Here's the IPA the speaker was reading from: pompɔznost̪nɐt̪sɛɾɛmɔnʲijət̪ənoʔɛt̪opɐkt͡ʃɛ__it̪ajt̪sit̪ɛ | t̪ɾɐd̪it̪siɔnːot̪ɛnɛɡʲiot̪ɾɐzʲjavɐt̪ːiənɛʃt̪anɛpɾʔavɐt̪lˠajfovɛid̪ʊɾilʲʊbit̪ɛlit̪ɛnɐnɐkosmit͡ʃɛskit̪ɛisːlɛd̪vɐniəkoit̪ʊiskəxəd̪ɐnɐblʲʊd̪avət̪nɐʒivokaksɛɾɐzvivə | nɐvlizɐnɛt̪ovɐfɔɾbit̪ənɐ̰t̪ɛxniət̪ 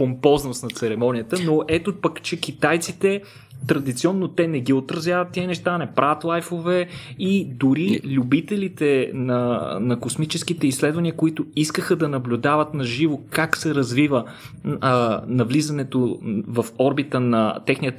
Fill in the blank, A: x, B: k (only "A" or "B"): B